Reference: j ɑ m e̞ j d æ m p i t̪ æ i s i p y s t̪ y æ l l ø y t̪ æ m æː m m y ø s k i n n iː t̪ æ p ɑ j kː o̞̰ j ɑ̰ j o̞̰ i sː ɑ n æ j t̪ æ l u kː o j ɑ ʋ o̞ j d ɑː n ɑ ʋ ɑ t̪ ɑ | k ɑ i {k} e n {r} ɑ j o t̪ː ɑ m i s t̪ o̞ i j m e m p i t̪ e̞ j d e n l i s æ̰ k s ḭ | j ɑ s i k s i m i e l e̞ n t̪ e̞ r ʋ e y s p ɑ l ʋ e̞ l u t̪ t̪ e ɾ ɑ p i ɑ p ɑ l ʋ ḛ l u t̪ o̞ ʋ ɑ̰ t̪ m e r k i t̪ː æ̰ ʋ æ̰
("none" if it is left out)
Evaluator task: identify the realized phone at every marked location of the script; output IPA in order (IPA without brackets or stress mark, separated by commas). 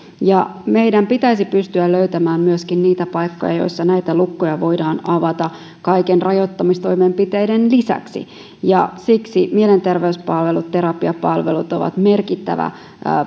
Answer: k, r